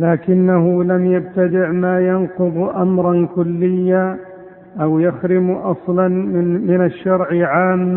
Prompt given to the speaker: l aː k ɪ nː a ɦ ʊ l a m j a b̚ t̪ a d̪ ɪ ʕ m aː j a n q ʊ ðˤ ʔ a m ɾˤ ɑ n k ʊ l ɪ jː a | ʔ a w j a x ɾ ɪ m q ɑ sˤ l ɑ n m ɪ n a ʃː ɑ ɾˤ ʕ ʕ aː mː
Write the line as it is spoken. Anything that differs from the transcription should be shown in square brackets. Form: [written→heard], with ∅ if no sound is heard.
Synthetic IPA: l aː k ɪ nː a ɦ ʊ l a m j a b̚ t̪ a d̪ ɪ ʕ m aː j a n q ʊ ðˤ ʔ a m ɾˤ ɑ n k ʊ [l→lː] ɪ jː a | ʔ a w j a x ɾ ɪ m [q→ʔ] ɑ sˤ l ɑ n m ɪ n a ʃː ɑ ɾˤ ʕ ʕ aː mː